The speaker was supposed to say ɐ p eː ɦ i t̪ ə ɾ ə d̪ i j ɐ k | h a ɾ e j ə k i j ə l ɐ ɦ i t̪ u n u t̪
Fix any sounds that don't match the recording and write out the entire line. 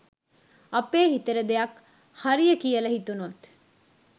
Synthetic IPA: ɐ p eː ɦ i t̪ ə ɾ ə d̪ e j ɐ k | h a ɾ i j ə k i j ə l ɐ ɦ i t̪ u n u t̪